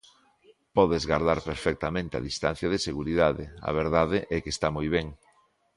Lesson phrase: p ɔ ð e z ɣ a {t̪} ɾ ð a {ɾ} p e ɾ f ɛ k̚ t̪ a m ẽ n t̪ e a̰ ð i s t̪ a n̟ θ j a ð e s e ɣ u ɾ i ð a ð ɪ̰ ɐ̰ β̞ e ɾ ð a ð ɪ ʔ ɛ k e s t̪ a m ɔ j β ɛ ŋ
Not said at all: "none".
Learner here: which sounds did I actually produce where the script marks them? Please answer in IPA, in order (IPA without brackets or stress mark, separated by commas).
none, ɾ